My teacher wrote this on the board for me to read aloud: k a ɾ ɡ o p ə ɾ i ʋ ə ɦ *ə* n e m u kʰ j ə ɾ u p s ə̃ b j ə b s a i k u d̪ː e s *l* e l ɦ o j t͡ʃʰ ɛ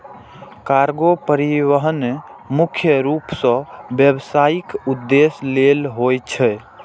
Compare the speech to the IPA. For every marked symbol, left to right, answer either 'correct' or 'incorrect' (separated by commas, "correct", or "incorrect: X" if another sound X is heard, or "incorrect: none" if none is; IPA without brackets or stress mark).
correct, correct